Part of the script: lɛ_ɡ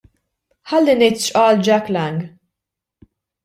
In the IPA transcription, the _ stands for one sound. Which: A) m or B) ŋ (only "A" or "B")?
B